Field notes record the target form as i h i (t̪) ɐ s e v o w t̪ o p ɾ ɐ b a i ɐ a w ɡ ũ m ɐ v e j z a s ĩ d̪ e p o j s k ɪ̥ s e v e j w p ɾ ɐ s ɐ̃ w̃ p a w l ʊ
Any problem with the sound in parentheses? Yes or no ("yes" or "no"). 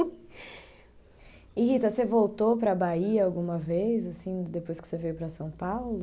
no